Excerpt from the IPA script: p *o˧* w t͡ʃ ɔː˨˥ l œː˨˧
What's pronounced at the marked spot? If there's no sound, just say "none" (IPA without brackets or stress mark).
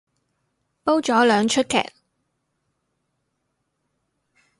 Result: o˥